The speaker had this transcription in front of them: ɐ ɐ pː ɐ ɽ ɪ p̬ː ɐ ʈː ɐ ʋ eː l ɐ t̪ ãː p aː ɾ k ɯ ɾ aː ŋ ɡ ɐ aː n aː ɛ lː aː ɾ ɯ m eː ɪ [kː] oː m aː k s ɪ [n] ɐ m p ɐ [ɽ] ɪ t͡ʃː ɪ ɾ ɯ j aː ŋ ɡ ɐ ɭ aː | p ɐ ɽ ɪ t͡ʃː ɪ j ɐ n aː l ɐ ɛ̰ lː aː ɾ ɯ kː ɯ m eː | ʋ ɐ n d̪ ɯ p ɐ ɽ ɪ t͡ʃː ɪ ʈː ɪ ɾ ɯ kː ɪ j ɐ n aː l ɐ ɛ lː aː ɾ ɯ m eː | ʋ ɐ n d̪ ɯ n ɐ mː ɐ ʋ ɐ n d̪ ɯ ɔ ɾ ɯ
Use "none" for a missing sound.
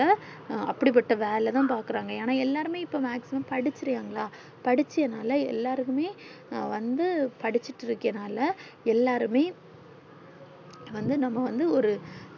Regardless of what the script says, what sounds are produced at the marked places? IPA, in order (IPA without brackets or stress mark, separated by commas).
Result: pː, m, ɽ